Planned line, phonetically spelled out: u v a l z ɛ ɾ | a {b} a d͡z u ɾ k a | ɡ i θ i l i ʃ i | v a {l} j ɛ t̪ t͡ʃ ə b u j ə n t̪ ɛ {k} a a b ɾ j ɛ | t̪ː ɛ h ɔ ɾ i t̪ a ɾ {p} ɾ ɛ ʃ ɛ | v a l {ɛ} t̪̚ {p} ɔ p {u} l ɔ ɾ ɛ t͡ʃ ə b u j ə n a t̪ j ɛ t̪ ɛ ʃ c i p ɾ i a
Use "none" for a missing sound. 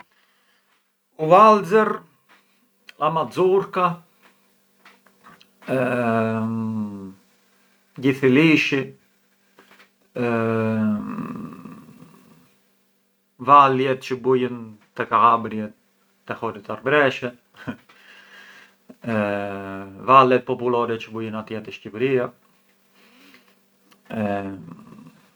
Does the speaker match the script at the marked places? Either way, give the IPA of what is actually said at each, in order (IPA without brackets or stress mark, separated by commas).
m, l, k, b, ɛ, p, u